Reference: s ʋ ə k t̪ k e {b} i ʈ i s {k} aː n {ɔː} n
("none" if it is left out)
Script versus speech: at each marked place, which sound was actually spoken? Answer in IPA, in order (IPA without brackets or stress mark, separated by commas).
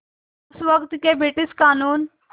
b, k, uː